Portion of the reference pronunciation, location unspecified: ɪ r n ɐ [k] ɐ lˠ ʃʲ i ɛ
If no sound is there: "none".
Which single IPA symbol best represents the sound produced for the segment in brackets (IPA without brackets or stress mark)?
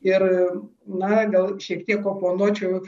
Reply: ɡ